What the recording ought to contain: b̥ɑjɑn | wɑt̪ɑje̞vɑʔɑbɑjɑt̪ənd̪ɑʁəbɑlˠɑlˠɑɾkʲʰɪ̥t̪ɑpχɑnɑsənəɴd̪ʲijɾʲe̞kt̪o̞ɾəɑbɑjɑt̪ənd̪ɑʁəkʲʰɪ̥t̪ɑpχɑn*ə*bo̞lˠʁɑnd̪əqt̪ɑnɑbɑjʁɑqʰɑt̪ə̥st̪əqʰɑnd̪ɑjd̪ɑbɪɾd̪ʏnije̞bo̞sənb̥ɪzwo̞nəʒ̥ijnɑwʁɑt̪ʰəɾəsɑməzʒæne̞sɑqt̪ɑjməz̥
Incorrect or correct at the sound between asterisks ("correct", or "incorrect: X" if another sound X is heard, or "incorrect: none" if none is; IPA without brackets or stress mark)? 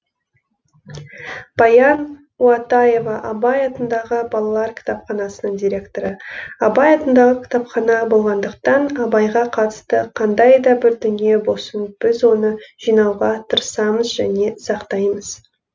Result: incorrect: ɑ